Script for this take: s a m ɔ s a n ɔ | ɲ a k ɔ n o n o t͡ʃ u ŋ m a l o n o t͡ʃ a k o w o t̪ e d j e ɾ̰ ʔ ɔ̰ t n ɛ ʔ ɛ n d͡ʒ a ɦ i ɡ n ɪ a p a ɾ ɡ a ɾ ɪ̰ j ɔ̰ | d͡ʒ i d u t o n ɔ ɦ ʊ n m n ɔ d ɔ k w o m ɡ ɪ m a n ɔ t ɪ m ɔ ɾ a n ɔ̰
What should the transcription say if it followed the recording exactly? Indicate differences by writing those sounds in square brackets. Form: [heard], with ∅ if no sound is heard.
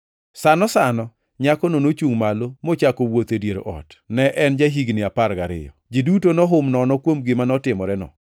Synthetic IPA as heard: s a [n] ɔ s a n ɔ | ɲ a k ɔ n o n o t͡ʃ u ŋ m a l o [m] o t͡ʃ a k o w o t̪ e d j e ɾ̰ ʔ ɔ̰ t n ɛ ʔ ɛ n d͡ʒ a ɦ i ɡ n ɪ a p a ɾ ɡ a ɾ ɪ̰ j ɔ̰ | d͡ʒ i d u t o n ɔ ɦ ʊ [∅] m n ɔ [n] ɔ k w o m ɡ ɪ m a n ɔ t ɪ m ɔ ɾ [ɛ] n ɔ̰